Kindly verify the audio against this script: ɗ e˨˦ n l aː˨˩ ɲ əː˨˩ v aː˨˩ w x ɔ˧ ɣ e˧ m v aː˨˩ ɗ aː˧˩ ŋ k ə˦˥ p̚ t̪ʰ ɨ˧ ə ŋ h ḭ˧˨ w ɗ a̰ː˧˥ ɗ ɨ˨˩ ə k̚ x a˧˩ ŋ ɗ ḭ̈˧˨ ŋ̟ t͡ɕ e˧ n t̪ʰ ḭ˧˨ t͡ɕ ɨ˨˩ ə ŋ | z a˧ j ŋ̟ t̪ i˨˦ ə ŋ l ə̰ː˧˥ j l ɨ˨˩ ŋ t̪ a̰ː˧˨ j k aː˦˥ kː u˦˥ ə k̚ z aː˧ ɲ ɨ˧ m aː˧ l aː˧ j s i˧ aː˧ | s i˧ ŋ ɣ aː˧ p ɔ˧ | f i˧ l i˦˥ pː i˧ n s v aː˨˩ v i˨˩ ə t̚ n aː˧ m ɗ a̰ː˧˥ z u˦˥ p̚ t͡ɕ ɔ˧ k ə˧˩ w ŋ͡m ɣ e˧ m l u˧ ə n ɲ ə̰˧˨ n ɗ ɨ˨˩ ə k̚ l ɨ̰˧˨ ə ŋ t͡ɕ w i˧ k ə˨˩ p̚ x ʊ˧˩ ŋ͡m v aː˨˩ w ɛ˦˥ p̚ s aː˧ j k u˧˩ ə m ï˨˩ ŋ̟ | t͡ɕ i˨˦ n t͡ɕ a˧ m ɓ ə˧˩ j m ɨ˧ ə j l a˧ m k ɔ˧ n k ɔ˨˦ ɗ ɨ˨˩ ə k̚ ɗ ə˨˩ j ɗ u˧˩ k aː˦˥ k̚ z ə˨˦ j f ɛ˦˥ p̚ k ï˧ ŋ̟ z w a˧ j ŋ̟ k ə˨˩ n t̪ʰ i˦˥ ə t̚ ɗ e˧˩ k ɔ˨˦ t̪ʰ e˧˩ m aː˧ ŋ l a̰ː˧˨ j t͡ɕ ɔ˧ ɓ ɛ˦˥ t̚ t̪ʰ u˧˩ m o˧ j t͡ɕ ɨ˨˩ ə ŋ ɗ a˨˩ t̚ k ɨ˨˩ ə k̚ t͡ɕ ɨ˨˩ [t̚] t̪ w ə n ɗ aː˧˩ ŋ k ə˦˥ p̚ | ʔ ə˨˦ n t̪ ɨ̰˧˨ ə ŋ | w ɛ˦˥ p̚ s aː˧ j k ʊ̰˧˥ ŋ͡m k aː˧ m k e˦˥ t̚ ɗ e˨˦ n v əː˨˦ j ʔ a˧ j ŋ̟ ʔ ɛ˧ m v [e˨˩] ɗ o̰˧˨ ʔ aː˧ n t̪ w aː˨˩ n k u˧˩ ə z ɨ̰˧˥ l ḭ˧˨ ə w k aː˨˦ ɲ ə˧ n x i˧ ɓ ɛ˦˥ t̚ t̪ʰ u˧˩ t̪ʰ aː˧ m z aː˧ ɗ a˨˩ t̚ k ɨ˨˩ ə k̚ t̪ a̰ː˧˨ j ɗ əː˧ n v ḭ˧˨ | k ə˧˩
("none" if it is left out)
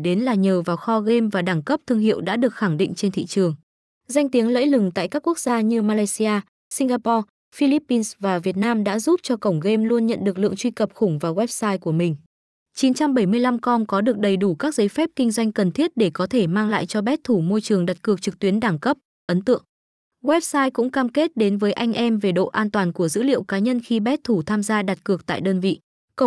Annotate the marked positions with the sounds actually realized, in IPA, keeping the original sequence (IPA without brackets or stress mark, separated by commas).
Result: k̚, e˨˩